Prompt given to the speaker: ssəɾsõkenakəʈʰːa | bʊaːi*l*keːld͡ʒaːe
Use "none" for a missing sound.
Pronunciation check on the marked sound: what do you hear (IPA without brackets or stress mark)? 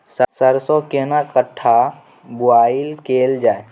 l